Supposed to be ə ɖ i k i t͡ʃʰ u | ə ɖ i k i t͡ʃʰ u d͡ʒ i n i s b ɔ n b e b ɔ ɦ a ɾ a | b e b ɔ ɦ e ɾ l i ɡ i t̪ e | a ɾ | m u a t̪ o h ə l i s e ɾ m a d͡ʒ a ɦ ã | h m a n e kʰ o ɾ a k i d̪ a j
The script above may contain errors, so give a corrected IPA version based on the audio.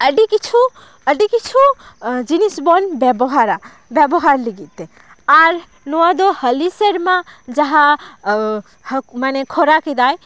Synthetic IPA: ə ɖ i k i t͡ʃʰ u | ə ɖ i k i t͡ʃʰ u d͡ʒ i n i s b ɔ n b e b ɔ ɦ a ɾ a | b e b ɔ ɦ a ɾ l i ɡ i t̪ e | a ɾ | n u a d̪ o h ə l i s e ɾ m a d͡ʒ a ɦ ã | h m a n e kʰ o ɾ a k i d̪ a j